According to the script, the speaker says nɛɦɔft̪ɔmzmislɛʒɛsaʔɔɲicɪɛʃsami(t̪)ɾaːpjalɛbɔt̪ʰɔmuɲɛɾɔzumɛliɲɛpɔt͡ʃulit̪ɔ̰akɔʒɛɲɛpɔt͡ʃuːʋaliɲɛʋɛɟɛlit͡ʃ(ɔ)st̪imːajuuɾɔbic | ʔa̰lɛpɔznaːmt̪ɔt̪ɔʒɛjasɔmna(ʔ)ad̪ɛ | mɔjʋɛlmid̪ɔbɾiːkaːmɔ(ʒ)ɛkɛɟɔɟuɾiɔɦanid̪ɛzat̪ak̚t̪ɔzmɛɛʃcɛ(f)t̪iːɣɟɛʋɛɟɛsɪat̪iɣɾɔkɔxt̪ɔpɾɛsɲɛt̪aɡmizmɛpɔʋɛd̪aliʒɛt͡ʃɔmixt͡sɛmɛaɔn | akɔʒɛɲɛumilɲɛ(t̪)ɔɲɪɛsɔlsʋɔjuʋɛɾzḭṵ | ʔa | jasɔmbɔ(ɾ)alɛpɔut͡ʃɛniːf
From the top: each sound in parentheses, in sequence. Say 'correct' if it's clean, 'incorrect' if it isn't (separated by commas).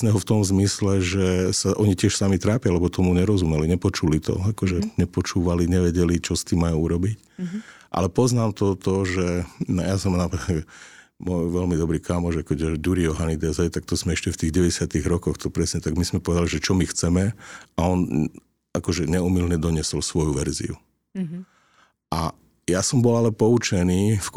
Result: correct, correct, incorrect, correct, correct, incorrect, incorrect